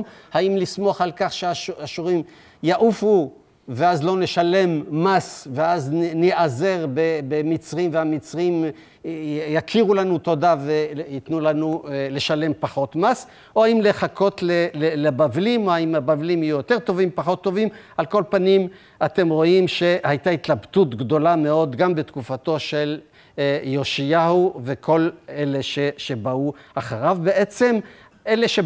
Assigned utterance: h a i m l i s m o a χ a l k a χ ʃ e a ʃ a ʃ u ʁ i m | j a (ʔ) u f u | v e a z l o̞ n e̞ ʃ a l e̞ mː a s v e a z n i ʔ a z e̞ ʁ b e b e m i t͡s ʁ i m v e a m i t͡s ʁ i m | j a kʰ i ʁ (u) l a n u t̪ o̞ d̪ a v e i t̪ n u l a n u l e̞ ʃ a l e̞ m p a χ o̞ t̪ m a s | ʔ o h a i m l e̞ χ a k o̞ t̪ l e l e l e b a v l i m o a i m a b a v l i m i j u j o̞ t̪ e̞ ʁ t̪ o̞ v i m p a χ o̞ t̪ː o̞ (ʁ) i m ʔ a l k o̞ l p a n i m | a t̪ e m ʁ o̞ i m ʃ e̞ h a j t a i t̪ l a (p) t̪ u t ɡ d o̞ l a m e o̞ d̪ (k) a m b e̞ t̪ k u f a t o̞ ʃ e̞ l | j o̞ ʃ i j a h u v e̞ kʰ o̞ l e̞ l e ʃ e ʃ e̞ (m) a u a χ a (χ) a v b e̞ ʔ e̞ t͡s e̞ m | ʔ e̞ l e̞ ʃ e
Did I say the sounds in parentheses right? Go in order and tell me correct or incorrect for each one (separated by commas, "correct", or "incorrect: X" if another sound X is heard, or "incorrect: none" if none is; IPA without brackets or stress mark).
correct, correct, incorrect: v, incorrect: b, incorrect: ɡ, incorrect: b, incorrect: ʁ